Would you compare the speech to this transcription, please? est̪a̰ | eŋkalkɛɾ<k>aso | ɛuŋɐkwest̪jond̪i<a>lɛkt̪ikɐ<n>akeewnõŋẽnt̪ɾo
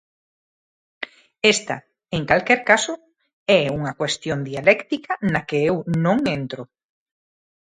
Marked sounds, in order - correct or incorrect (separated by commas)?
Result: correct, correct, correct